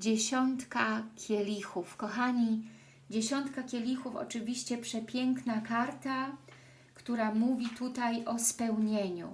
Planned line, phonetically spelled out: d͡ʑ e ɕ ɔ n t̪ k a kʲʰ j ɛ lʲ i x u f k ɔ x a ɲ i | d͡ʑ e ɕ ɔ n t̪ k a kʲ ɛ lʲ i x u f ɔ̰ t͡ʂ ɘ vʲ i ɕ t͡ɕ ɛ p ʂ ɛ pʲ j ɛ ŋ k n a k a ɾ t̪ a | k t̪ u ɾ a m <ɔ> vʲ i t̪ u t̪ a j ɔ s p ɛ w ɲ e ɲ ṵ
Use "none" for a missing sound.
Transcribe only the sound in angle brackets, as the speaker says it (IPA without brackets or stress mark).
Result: u